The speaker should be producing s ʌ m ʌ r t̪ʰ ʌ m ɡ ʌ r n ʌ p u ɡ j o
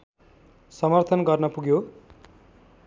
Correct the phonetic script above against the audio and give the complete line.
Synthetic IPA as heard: s ʌ m ʌ r t̪ʰ ʌ n ɡ ʌ r n ʌ p u ɡ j o